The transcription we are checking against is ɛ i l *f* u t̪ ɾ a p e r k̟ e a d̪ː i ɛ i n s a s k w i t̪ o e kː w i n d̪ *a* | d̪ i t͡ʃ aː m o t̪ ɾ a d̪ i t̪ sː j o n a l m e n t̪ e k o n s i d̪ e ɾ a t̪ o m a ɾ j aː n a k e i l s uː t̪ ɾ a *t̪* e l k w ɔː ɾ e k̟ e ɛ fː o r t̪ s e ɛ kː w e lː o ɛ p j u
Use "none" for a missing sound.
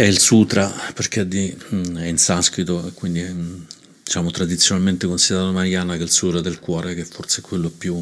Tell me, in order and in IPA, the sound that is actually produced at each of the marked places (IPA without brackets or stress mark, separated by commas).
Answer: s, i, d̪